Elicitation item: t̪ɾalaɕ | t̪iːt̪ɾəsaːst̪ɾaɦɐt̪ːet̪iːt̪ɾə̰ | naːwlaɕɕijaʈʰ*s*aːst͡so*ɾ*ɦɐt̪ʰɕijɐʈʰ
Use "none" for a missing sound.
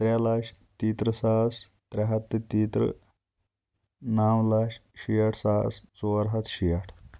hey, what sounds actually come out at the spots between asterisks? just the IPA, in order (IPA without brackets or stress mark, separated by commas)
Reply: s, ɾ